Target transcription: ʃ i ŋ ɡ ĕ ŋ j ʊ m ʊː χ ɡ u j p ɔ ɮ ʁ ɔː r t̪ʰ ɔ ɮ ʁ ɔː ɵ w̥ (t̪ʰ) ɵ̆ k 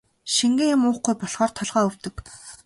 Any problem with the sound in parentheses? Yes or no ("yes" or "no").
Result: yes